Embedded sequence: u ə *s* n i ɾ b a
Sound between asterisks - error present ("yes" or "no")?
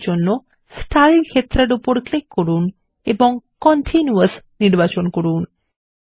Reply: no